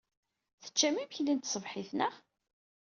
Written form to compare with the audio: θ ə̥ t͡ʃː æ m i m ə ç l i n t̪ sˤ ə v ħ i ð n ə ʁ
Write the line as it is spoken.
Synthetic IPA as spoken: θ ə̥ t͡ʃː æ m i m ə ç l i n t̪ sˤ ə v ħ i θ n ə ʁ